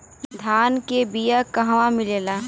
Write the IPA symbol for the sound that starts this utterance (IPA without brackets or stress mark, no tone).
d̪ʱ